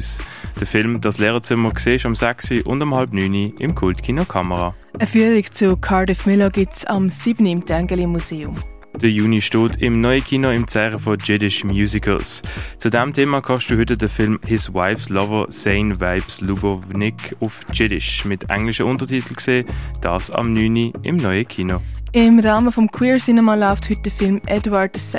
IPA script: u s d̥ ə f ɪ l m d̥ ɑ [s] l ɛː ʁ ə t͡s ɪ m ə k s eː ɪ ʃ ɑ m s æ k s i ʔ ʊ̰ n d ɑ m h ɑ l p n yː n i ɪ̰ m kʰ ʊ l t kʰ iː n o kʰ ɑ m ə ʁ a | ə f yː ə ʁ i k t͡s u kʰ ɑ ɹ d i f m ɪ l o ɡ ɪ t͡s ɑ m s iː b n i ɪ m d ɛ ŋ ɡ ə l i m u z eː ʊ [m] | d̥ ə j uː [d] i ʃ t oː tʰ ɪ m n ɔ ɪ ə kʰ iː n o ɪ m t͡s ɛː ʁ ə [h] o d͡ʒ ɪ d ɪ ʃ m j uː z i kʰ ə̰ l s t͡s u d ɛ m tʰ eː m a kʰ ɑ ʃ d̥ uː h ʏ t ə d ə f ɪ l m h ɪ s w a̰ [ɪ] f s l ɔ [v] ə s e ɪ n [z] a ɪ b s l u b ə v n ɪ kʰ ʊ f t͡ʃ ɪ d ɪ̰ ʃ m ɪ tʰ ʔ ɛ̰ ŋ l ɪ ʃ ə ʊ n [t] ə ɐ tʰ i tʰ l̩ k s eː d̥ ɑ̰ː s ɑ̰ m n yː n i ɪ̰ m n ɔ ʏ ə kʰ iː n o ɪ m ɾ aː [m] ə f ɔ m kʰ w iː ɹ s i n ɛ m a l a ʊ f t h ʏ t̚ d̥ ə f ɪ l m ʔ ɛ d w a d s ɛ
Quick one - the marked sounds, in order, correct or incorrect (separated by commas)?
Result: correct, correct, incorrect, incorrect, correct, correct, incorrect, correct, correct